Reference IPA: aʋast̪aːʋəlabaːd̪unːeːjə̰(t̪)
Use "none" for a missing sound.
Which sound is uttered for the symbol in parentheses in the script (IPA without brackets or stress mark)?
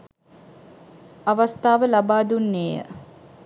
none